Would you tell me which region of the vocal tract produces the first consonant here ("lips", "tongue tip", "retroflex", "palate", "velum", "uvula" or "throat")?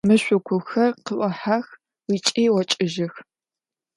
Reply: lips